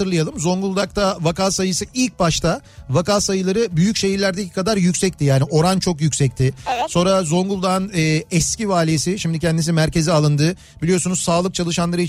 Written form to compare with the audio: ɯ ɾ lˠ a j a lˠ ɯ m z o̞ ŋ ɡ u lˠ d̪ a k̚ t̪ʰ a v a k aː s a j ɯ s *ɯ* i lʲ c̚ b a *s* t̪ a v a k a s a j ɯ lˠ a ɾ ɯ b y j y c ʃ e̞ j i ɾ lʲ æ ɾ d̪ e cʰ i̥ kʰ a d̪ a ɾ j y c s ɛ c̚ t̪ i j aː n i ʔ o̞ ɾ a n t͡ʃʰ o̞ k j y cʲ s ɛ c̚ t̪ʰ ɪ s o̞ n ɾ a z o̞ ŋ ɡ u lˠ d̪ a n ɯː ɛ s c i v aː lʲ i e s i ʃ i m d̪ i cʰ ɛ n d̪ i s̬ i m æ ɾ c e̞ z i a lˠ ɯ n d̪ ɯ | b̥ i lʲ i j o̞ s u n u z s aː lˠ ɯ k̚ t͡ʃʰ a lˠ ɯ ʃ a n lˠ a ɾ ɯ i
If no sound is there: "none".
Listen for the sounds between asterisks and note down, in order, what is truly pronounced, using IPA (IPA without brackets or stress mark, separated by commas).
ɯ, ʃ